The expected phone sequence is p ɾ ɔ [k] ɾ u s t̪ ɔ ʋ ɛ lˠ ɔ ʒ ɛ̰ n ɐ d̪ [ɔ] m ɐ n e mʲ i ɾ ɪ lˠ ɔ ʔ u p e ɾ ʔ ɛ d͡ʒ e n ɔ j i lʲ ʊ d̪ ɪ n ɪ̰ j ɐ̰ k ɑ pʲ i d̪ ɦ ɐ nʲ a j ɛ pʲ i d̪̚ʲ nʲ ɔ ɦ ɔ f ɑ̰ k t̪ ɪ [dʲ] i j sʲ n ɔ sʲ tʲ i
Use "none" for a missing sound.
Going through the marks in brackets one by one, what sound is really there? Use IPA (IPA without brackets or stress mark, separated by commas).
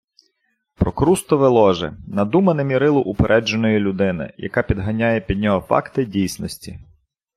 k, u, dʲ